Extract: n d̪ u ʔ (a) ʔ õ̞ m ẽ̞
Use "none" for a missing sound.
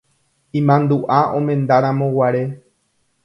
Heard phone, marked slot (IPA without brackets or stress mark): a